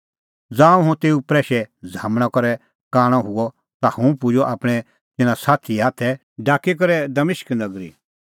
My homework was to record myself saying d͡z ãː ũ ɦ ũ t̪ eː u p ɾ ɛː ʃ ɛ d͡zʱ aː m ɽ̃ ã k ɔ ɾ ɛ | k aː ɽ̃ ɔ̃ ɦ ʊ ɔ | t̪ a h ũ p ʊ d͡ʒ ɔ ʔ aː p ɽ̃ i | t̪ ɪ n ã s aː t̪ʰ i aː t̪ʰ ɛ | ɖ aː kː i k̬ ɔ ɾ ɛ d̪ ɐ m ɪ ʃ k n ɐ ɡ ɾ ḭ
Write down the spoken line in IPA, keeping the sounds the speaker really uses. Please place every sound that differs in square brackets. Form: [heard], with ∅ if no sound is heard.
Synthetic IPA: d͡z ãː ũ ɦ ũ t̪ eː u p ɾ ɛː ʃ ɛ d͡zʱ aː m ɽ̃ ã k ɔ ɾ ɛ | k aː ɽ̃ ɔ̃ ɦ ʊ ɔ | t̪ a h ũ p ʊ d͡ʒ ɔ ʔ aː p ɽ̃ [ɛ] | t̪ ɪ n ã s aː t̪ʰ i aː t̪ʰ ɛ | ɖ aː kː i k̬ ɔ ɾ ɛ d̪ ɐ m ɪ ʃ k n ɐ ɡ ɾ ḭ

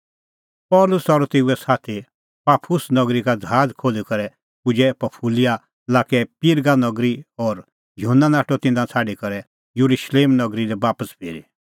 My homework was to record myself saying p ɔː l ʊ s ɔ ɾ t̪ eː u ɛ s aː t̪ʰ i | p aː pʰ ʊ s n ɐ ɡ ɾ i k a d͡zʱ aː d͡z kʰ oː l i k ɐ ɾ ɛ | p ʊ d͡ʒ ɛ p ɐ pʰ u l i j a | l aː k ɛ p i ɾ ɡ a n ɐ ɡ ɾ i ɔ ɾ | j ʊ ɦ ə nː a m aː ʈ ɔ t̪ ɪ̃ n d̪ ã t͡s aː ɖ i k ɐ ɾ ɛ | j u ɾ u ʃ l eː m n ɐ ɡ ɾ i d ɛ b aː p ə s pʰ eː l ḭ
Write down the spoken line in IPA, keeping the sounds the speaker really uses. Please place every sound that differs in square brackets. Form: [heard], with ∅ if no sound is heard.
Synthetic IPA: p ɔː l ʊ s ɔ ɾ t̪ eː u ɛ s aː t̪ʰ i | p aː pʰ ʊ s n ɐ ɡ ɾ i k a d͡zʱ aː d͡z kʰ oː l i k ɐ ɾ ɛ | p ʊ d͡ʒ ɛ p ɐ pʰ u l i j a | l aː k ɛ p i ɾ ɡ a n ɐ ɡ ɾ i ɔ ɾ | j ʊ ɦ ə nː a [n] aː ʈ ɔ t̪ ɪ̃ n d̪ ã [t͡sʰ] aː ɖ i k ɐ ɾ ɛ | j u ɾ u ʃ l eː m n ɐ ɡ ɾ i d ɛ b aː p ə s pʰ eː [ɾ] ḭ

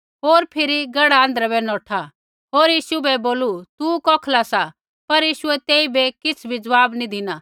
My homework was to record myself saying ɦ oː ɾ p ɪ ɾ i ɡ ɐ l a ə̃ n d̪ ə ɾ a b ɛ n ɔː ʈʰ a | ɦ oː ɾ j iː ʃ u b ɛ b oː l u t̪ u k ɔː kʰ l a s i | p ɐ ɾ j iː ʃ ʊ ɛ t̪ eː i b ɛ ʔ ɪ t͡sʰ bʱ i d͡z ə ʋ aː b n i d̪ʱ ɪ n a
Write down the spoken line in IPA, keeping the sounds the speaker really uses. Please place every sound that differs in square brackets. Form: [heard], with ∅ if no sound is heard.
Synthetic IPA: ɦ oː ɾ [pʰ] ɪ ɾ i ɡ ɐ [ɽ] a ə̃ n d̪ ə ɾ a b ɛ n ɔː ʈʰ a | ɦ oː ɾ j iː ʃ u b ɛ b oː l u t̪ u k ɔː kʰ l a s [a] | p ɐ ɾ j iː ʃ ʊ ɛ t̪ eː i b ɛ [k] ɪ t͡sʰ bʱ i d͡z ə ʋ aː b n i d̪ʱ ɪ n a

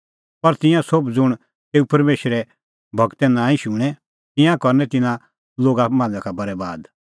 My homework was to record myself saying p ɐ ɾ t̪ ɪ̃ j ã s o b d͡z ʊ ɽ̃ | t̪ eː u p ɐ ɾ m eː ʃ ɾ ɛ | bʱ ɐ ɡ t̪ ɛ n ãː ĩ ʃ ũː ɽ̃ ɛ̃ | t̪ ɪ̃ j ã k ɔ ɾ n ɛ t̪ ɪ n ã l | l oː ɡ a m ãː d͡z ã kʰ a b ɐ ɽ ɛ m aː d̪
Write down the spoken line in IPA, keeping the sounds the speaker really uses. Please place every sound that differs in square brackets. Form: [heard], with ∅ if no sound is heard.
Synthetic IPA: p ɐ ɾ t̪ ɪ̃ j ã s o b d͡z ʊ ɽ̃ | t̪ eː u p ɐ ɾ m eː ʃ ɾ ɛ | bʱ ɐ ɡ t̪ ɛ n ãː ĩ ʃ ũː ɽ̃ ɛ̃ | t̪ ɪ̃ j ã k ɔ ɾ n ɛ t̪ ɪ n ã [∅] | l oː ɡ a m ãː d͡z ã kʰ a b ɐ [ɾ] ɛ [b] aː d̪

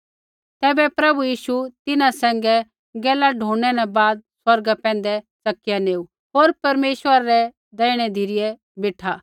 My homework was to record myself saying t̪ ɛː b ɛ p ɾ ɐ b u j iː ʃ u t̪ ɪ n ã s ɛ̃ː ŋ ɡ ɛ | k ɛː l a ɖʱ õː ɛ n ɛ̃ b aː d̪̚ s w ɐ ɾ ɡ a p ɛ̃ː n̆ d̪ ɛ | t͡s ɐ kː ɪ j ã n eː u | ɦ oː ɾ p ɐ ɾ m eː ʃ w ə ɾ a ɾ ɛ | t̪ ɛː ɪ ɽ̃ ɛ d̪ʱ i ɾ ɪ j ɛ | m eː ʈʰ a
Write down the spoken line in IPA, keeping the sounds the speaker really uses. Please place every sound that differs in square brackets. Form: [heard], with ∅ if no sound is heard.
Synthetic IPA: t̪ ɛː b ɛ p ɾ ɐ b u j iː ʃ u t̪ ɪ n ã s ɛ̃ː ŋ ɡ ɛ | [ɡ] ɛː l a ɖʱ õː ɛ n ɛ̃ b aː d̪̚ s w ɐ ɾ ɡ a p ɛ̃ː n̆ d̪ ɛ | t͡s ɐ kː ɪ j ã n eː u | ɦ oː ɾ p ɐ ɾ m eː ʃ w ə ɾ a ɾ ɛ | [d̪] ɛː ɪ ɽ̃ ɛ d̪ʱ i ɾ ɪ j ɛ | [b] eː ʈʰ a

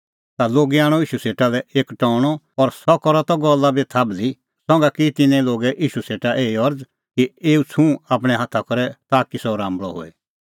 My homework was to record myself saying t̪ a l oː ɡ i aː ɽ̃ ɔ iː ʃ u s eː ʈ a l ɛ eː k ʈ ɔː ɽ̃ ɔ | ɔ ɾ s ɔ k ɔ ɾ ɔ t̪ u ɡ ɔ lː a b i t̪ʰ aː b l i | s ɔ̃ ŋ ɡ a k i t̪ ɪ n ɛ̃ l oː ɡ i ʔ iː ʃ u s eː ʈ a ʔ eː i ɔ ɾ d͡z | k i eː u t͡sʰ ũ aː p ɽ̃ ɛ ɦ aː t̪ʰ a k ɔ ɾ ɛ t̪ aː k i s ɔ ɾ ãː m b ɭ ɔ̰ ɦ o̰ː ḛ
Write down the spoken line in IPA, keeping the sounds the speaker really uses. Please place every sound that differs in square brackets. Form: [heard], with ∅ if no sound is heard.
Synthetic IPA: t̪ a l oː ɡ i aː ɽ̃ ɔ iː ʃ u s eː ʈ a l ɛ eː k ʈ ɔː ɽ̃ ɔ | ɔ ɾ s ɔ k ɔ ɾ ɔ t̪ [ɔ] ɡ ɔ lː a b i t̪ʰ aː b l i | s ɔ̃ ŋ ɡ a k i t̪ ɪ n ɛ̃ l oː ɡ [ɛ] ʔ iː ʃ u s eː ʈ a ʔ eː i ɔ ɾ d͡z | k i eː u t͡sʰ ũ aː p ɽ̃ ɛ ɦ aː t̪ʰ a k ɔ ɾ ɛ t̪ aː k i s ɔ ɾ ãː m b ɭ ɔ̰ ɦ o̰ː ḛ

